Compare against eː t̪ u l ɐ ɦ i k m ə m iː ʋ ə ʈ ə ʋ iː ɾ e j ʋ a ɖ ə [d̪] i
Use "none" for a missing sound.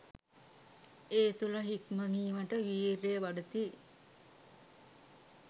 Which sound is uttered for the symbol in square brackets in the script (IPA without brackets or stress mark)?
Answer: t̪